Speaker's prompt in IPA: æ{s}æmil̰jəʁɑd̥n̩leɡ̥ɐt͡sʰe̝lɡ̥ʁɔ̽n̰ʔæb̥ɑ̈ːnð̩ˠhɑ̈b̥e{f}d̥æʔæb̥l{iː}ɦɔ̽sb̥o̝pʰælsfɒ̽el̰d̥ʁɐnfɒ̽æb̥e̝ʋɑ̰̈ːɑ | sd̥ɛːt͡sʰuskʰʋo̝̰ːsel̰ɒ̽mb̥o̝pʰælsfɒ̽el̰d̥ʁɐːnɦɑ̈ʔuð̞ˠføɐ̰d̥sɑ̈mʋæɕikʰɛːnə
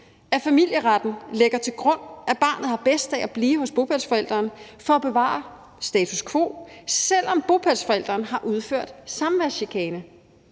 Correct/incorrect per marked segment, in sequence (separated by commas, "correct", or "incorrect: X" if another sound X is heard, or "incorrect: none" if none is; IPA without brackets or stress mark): incorrect: f, incorrect: s, correct